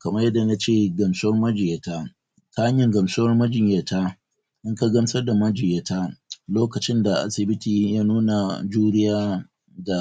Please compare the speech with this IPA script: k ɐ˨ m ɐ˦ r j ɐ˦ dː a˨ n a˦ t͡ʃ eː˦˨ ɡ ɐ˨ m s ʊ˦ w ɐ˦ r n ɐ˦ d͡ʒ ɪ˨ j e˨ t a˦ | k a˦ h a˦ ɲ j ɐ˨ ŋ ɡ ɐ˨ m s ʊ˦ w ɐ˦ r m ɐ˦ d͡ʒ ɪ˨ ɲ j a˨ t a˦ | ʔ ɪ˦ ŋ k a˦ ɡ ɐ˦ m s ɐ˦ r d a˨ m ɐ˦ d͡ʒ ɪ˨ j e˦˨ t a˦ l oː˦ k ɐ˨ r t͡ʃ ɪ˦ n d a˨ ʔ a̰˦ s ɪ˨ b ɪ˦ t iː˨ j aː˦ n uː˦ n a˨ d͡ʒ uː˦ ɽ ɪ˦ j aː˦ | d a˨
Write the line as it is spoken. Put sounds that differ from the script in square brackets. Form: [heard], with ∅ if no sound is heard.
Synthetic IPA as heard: k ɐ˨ m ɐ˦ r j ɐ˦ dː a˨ n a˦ t͡ʃ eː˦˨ ɡ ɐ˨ m s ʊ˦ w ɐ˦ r [m] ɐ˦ d͡ʒ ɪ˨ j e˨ t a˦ | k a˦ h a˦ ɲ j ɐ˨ ŋ ɡ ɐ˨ m s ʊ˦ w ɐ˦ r m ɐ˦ d͡ʒ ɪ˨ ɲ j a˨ t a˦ | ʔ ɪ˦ ŋ k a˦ ɡ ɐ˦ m s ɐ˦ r d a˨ m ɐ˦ d͡ʒ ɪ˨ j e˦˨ t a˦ l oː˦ k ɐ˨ [∅] t͡ʃ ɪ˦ n d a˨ ʔ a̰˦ s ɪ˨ b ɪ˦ t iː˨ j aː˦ n uː˦ n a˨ d͡ʒ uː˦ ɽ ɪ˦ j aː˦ | d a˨